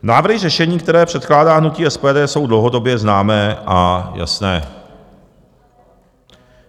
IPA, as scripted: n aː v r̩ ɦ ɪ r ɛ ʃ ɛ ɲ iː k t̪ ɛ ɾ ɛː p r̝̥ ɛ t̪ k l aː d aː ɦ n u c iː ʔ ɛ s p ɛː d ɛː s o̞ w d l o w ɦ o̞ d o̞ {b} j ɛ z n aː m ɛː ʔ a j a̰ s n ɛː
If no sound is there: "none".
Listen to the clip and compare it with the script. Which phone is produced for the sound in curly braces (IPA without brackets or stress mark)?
b